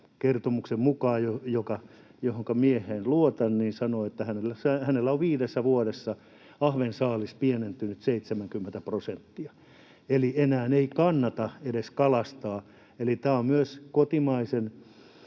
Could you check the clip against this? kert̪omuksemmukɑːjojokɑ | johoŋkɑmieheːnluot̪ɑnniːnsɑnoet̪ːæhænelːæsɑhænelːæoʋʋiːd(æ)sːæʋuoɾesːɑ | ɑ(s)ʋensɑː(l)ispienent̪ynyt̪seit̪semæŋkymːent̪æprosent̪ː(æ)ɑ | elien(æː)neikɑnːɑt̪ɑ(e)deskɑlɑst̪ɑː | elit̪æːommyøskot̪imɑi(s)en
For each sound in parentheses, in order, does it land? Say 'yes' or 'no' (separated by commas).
no, no, yes, no, yes, yes, yes